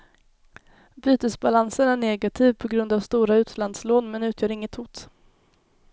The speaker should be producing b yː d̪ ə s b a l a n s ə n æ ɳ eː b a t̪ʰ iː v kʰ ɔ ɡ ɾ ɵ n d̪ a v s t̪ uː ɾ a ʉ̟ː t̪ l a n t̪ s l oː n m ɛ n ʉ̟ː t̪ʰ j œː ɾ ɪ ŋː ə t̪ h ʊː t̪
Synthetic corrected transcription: b yː t̪ ə s b a l a n s ə n æ ɳ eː ɡ a t̪ʰ iː v pʰ ɔ ɡ ɾ ɵ n d̪ a v s t̪ uː ɾ a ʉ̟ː t̪ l a n d̪ s l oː n m ɛ n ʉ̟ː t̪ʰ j œː ɾ ɪ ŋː ə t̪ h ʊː t̪